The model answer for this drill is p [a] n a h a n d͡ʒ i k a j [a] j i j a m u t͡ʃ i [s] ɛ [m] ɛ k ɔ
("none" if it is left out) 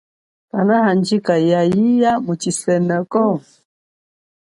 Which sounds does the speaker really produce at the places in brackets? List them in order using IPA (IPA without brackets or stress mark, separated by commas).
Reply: a, a, s, n